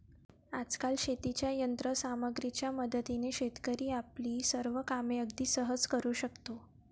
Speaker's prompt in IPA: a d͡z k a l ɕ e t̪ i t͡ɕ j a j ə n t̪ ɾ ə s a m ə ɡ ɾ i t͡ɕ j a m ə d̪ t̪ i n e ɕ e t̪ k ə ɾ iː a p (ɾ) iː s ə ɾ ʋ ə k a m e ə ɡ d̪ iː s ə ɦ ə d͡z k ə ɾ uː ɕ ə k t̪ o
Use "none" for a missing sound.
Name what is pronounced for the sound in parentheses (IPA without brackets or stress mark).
l